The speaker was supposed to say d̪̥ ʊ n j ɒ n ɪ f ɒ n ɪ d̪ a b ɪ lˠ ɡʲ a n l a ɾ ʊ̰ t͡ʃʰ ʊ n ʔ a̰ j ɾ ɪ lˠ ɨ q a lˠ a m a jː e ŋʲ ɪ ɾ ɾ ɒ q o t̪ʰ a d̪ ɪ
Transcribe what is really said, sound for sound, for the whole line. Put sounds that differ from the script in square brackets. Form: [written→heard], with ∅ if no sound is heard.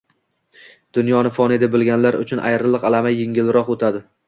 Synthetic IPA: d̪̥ ʊ n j ɒ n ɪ f ɒ n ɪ d̪ a b ɪ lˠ ɡʲ a n l a ɾ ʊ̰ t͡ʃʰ ʊ n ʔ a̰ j ɾ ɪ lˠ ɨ q a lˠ a m a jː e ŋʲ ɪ [ɾ→l] ɾ ɒ q o t̪ʰ a d̪ ɪ